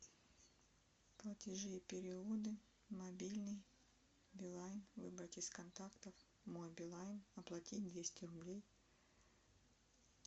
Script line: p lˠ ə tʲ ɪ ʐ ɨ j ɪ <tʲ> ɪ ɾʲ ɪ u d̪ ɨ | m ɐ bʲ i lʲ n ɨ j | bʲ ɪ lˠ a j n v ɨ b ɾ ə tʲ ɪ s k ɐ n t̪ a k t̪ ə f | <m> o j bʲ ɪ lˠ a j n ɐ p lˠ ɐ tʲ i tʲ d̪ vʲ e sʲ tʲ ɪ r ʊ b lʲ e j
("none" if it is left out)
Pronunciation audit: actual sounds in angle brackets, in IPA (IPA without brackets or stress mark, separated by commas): pʲ, m